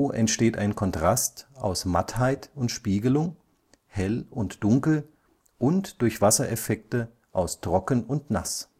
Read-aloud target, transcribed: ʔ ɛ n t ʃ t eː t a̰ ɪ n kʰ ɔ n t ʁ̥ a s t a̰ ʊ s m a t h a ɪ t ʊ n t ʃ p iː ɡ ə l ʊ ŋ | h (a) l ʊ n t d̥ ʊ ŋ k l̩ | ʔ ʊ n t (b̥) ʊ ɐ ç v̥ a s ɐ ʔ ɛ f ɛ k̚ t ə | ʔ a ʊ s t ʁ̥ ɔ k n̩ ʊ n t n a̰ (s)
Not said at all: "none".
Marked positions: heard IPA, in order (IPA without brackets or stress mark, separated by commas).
ɛ, d̥, s